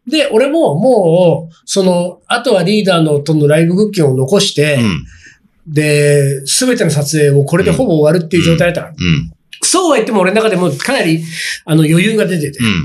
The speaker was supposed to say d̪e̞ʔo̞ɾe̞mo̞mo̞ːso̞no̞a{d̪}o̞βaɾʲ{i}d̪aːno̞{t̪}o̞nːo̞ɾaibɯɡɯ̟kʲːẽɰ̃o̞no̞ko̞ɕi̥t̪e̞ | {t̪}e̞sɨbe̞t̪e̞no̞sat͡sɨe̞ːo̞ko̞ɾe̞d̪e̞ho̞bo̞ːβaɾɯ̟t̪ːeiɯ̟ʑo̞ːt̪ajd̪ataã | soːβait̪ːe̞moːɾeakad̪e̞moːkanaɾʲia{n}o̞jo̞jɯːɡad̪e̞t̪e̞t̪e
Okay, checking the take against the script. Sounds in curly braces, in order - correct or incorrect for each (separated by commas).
incorrect, incorrect, correct, incorrect, correct